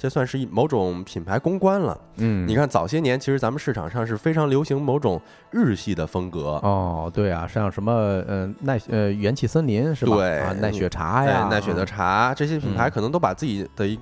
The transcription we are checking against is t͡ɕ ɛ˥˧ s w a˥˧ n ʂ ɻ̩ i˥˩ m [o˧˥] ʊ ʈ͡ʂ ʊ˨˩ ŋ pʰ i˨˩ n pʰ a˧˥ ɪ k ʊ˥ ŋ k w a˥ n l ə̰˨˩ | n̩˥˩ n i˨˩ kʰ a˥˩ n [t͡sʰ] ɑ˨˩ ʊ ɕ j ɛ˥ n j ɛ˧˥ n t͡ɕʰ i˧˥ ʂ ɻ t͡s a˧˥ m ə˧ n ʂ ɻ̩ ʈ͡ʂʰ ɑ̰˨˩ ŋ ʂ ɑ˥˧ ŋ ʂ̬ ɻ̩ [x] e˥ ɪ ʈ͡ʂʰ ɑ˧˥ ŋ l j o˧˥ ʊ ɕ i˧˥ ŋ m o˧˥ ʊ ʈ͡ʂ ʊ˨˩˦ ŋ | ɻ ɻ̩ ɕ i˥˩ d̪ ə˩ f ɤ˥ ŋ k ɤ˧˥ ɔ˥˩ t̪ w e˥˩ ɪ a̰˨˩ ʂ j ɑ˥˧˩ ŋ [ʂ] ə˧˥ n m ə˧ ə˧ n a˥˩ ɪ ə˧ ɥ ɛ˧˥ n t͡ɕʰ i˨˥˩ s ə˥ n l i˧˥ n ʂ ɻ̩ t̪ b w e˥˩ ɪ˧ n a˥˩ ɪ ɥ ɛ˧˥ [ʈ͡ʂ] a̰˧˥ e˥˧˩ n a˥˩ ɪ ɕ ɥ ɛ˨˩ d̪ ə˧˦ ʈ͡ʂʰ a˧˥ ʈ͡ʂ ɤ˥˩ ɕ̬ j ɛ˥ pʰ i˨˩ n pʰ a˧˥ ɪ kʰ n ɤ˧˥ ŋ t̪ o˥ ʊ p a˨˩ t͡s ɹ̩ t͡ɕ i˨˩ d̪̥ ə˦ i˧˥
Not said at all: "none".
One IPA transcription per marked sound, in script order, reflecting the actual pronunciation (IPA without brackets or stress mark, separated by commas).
o˧˥, t͡s, f, ʂ, ʈ͡ʂʰ